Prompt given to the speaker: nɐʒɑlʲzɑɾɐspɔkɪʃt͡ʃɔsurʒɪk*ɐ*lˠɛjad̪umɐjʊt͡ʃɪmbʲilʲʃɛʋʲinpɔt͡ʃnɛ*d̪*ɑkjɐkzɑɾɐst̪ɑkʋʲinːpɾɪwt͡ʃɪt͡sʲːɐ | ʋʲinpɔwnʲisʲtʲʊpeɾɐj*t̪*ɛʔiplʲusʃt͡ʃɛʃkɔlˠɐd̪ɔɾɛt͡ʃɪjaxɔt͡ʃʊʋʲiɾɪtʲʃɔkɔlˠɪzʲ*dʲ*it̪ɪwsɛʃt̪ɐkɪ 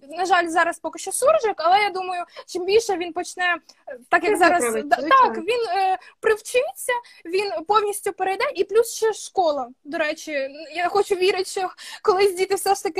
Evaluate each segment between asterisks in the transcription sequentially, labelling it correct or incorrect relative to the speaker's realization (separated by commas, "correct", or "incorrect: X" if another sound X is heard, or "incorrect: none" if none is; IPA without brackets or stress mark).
correct, incorrect: t̪, incorrect: d̪, correct